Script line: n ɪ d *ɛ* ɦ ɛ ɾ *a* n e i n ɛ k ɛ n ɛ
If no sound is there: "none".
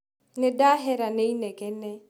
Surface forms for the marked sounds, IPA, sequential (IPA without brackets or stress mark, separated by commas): a, a